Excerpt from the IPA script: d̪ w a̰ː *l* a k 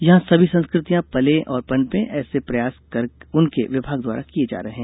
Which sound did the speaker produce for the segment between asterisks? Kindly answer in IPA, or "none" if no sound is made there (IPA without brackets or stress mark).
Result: ɾ